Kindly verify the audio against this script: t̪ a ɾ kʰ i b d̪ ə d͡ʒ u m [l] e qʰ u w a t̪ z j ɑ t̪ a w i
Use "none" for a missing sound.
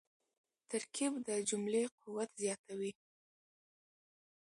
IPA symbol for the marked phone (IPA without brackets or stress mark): l